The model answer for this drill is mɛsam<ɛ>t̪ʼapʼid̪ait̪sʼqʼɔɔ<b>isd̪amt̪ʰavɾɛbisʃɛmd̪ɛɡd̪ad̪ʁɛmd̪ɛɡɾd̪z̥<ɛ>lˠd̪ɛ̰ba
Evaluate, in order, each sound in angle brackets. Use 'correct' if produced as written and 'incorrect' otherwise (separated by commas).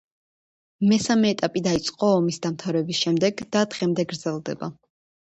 incorrect, incorrect, correct